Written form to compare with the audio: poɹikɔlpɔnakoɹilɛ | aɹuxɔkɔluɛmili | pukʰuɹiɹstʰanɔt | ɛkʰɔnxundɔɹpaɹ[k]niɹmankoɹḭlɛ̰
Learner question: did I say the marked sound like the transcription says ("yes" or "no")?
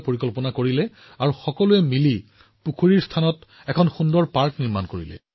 yes